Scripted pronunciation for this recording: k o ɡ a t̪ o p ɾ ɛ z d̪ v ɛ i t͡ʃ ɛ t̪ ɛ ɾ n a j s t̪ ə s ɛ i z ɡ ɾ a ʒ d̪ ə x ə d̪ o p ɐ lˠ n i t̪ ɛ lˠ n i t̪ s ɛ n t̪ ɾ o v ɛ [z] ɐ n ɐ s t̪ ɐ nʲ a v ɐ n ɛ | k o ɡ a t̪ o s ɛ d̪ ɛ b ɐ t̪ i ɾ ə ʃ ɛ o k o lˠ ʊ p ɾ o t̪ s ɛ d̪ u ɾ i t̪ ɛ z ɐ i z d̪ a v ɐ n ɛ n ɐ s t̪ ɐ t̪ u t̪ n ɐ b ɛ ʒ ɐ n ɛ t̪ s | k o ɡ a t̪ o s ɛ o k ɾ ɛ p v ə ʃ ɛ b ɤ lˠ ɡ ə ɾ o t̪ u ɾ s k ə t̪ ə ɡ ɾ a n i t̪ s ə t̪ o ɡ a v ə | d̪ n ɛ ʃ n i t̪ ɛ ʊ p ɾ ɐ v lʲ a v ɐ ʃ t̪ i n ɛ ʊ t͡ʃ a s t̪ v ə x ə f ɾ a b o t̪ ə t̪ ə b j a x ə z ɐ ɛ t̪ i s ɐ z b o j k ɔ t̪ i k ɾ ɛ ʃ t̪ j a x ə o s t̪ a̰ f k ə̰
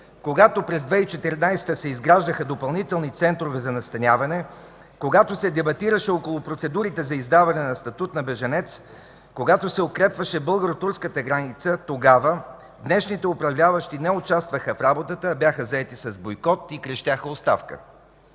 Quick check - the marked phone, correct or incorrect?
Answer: correct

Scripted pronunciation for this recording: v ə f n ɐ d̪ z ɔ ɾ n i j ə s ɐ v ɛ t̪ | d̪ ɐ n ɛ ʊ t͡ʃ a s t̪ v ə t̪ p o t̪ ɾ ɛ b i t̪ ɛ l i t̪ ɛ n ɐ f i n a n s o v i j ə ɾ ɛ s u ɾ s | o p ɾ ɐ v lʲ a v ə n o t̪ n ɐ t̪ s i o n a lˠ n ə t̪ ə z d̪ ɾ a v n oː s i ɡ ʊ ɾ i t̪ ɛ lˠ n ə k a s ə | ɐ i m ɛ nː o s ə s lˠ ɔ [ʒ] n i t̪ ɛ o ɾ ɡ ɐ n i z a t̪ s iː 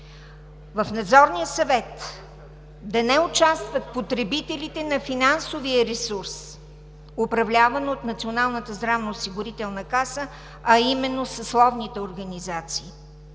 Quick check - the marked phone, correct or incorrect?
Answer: incorrect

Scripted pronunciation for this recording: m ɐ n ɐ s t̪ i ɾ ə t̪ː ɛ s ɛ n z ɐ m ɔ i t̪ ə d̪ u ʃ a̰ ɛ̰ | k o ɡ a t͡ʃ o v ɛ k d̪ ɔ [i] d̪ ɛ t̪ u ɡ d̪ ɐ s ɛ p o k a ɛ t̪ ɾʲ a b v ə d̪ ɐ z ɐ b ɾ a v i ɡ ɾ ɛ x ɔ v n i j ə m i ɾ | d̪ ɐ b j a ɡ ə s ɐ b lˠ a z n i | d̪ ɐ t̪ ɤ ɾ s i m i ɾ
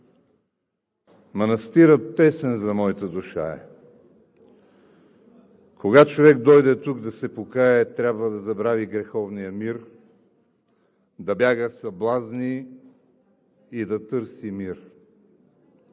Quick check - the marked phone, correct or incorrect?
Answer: incorrect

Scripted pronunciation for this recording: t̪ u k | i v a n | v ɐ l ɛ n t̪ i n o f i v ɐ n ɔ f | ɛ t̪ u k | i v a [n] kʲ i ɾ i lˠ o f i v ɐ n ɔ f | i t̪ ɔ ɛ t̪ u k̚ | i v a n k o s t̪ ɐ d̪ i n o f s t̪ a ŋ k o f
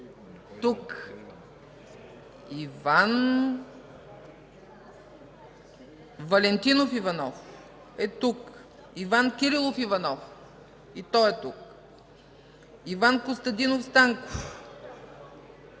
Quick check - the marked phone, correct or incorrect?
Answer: correct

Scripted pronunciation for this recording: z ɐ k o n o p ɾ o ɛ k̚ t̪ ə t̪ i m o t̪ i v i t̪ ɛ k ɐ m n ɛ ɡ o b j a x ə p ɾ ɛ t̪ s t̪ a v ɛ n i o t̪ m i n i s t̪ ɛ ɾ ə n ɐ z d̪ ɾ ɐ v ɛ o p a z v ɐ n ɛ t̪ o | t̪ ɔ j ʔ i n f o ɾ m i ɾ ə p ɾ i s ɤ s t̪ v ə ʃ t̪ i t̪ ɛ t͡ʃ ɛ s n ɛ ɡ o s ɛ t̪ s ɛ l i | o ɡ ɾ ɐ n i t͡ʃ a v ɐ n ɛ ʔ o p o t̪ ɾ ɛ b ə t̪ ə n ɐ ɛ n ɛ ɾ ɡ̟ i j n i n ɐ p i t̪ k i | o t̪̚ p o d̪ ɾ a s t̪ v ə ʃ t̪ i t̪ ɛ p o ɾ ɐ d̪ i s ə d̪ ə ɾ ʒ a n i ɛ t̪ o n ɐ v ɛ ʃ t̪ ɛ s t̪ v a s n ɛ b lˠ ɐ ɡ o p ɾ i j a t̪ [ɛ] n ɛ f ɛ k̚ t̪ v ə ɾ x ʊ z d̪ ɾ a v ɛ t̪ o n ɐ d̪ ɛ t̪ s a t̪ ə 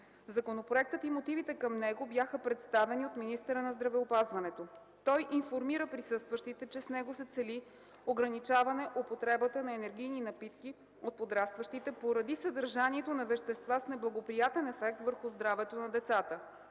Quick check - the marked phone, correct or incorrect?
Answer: correct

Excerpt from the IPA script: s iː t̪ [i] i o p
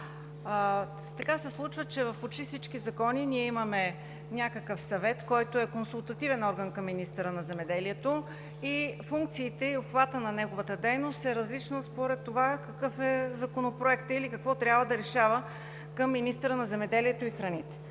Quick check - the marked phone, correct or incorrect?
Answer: incorrect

